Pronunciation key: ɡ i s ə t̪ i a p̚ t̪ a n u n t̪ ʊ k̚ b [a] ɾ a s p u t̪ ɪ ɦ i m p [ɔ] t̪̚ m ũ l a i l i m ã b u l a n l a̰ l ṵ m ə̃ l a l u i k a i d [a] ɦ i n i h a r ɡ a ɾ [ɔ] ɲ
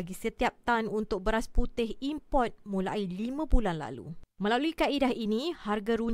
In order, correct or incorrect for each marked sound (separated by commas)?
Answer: incorrect, correct, correct, incorrect